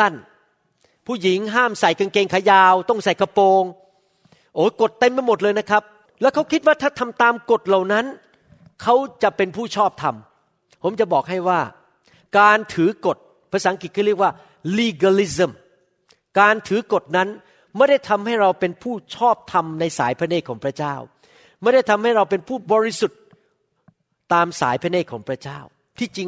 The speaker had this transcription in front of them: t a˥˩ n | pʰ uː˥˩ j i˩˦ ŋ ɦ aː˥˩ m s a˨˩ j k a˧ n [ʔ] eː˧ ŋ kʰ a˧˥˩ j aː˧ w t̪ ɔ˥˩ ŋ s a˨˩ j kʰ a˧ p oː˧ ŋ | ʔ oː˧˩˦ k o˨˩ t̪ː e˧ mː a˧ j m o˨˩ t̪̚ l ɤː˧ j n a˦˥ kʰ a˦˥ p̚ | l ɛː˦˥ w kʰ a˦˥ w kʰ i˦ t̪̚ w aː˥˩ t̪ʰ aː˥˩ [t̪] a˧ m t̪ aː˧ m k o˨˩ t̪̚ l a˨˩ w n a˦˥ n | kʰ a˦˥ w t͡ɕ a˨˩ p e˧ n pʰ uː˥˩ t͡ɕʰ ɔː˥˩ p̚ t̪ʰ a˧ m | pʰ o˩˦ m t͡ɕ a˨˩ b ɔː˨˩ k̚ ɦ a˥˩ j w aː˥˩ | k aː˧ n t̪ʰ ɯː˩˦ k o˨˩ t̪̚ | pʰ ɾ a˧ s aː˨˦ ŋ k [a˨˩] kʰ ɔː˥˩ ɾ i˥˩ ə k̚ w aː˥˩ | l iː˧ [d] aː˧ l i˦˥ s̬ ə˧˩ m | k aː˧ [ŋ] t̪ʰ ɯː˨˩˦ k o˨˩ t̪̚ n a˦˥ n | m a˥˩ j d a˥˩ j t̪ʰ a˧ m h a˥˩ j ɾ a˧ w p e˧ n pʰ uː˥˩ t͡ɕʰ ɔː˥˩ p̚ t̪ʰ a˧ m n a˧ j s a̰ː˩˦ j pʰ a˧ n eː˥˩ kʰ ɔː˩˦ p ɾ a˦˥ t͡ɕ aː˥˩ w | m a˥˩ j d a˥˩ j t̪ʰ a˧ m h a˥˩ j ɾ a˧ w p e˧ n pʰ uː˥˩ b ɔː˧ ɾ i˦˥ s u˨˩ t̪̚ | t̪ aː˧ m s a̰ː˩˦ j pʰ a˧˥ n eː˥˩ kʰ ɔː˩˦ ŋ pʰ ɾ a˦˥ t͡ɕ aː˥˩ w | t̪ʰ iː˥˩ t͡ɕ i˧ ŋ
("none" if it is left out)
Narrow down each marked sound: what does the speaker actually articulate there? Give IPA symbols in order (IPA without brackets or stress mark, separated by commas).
k, t̪ʰ, i˨˩, ɡ, n